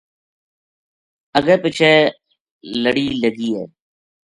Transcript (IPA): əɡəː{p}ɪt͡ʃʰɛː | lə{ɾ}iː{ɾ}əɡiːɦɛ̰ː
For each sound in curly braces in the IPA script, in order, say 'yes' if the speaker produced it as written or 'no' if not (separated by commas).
yes, no, no